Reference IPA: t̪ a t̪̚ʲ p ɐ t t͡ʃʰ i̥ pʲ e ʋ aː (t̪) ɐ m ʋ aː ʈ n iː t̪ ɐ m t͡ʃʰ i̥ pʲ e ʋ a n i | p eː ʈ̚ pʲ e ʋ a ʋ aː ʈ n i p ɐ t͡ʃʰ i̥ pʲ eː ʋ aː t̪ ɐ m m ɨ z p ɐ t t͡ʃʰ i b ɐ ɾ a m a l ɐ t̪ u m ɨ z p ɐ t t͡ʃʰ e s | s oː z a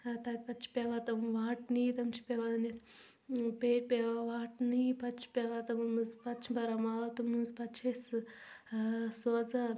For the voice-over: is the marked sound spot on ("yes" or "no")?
yes